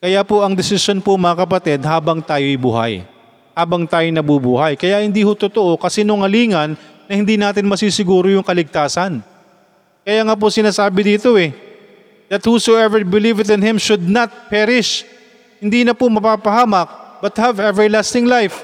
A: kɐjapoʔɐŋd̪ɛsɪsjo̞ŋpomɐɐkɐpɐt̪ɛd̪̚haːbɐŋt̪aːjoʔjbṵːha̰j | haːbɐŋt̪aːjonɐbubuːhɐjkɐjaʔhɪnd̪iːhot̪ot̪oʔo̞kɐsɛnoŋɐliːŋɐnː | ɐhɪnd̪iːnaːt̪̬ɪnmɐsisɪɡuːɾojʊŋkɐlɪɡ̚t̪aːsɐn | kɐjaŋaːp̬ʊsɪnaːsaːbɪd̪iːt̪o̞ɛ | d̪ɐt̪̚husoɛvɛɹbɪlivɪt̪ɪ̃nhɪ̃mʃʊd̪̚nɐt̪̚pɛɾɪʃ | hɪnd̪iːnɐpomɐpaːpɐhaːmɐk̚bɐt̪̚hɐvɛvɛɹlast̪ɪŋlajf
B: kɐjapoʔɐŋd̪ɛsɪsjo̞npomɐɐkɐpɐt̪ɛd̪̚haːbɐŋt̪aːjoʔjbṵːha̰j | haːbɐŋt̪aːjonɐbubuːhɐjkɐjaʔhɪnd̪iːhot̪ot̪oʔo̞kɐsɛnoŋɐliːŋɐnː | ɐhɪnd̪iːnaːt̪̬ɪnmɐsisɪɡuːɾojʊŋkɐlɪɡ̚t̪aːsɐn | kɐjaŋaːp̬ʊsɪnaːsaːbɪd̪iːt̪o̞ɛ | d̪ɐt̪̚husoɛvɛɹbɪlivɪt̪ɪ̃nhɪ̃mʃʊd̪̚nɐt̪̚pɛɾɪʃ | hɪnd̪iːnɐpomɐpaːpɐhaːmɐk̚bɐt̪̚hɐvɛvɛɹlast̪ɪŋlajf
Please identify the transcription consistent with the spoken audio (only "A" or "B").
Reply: B